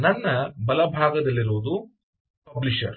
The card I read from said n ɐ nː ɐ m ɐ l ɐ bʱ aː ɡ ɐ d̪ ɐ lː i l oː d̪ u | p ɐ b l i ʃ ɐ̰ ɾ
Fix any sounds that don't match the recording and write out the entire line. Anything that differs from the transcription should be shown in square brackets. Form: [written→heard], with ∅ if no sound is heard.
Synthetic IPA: n ɐ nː ɐ [m→b] ɐ l ɐ bʱ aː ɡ ɐ d̪ ɐ lː i [l→ɾ] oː d̪ u | p ɐ b l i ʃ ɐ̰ ɾ